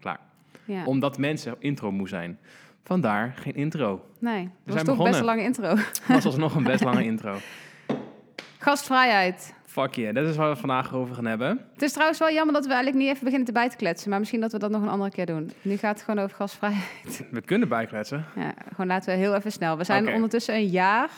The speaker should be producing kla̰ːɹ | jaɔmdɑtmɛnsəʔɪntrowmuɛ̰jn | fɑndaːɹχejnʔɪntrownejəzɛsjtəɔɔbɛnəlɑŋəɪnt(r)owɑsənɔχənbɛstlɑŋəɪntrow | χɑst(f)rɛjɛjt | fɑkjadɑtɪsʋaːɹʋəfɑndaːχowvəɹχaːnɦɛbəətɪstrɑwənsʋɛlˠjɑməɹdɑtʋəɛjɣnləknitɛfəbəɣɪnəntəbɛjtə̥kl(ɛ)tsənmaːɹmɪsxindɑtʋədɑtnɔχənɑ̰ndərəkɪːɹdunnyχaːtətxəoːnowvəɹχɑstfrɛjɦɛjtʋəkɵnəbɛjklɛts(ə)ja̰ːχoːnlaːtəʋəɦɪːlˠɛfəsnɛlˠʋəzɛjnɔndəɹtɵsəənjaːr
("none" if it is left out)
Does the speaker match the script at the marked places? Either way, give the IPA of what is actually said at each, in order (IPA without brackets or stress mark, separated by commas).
r, f, ɛ, ə